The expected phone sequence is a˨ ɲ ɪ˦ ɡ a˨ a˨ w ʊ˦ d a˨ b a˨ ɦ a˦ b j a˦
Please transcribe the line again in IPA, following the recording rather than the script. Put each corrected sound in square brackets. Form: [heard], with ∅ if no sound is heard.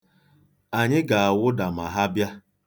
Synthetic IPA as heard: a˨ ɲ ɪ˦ ɡ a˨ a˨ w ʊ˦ d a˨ [m] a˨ ɦ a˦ b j a˦